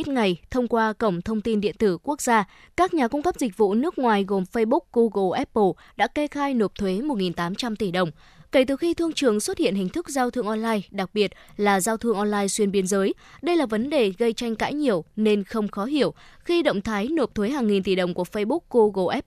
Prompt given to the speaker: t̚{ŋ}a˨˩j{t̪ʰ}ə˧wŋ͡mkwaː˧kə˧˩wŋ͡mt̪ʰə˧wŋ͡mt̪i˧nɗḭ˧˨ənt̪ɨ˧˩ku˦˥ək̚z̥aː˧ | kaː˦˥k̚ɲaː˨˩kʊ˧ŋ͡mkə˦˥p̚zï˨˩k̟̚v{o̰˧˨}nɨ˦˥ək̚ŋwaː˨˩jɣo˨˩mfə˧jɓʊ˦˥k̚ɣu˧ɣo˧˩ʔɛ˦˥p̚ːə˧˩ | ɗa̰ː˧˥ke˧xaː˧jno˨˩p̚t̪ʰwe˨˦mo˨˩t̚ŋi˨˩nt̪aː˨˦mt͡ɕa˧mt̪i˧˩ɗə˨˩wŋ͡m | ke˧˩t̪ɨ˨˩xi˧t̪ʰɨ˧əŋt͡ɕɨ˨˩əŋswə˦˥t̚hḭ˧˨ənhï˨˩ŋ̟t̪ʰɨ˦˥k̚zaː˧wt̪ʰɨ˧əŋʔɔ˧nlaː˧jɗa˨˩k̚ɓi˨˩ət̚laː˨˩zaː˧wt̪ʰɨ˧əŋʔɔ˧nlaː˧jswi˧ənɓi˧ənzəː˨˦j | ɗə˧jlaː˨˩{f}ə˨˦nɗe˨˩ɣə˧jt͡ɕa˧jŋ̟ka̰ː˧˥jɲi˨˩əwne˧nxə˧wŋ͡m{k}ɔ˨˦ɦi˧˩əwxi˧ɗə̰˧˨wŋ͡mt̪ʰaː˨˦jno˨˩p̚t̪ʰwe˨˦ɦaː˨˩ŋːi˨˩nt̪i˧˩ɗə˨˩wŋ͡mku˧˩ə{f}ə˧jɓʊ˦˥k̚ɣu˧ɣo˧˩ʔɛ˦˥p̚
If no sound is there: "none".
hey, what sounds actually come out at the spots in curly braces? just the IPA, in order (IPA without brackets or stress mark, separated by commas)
ŋ, t̪ʰ, ṵ˧˨, v, x, f